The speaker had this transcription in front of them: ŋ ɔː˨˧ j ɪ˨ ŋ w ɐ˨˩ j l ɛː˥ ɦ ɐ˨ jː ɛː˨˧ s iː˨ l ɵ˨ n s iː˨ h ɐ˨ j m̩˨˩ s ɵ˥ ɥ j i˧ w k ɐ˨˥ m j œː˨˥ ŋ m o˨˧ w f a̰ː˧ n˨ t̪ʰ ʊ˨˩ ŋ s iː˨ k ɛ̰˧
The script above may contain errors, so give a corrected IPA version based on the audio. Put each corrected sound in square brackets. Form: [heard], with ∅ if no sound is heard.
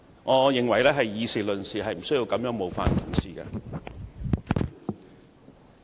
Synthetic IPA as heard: ŋ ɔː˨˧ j ɪ˨ ŋ w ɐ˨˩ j l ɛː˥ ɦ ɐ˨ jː [iː˨˧] s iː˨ l ɵ˨ n s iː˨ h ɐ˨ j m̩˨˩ s ɵ˥ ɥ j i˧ w k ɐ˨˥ m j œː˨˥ ŋ m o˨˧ w f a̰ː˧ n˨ t̪ʰ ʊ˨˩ ŋ s iː˨ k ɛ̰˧